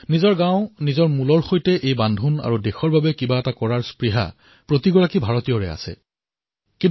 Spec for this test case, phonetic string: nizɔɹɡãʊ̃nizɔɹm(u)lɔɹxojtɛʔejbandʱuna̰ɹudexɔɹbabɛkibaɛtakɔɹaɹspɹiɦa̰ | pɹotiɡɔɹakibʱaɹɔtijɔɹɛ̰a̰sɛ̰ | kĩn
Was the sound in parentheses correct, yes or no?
yes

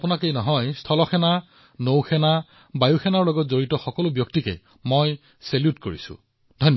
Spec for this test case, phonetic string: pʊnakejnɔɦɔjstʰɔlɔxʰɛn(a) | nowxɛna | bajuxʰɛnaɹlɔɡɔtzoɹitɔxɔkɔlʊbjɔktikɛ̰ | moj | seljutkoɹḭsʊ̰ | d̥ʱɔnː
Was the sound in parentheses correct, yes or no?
yes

